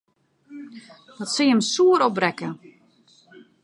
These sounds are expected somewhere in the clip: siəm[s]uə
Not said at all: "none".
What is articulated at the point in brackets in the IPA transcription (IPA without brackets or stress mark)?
s